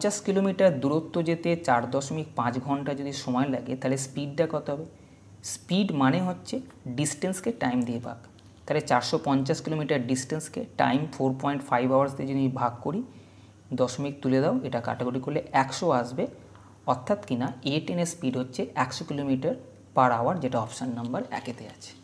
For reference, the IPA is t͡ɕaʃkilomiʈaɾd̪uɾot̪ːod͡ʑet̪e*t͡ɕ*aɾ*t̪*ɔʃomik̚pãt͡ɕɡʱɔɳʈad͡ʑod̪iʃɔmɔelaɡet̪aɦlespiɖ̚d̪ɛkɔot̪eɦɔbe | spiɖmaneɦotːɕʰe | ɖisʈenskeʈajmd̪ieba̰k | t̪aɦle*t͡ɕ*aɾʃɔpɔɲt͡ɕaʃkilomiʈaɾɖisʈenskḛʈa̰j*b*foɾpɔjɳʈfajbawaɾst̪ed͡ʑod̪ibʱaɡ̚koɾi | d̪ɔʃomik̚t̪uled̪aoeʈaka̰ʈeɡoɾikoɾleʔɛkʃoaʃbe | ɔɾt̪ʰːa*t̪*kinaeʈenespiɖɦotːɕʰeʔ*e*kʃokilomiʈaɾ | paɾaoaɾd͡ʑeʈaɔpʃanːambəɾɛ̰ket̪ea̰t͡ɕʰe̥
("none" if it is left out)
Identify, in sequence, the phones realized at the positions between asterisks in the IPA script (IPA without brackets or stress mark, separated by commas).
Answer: t͡ɕ, d̪, t͡ɕ, m, t̪, ɛ